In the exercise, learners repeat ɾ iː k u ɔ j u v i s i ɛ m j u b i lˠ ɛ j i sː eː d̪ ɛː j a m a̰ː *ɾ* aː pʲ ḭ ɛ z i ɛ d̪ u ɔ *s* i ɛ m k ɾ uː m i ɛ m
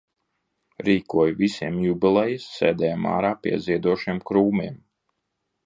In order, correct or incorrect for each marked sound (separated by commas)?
correct, incorrect